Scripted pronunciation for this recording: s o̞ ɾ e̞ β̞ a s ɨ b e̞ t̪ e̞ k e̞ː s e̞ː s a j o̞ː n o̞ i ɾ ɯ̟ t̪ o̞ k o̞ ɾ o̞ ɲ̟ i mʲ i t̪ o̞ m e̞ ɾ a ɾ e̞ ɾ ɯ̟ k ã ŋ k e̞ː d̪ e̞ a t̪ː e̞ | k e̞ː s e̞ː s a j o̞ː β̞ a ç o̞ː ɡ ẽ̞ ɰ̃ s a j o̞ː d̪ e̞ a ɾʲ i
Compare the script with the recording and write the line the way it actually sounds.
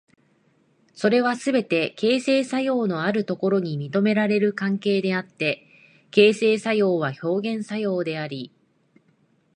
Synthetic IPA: s o̞ ɾ e̞ β̞ a s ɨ b e̞ t̪ e̞ k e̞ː s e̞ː s a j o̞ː n o̞ a ɾ ɯ̟ t̪ o̞ k o̞ ɾ o̞ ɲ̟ i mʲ i t̪ o̞ m e̞ ɾ a ɾ e̞ ɾ ɯ̟ k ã ŋ k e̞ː d̪ e̞ a t̪ː e̞ | k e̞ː s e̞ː s a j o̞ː β̞ a ç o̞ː ɡ ẽ̞ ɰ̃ s a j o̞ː d̪ e̞ a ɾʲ i